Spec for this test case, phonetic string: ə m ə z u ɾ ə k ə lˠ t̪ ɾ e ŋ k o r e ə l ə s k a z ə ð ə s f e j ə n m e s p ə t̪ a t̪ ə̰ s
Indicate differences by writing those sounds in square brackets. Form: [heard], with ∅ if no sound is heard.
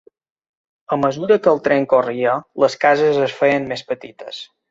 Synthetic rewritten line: ə m ə z u ɾ ə k ə lˠ t̪ ɾ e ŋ k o r [i] ə l ə s k a z ə [z] ə s f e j ə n m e s p ə t̪ [i] t̪ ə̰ s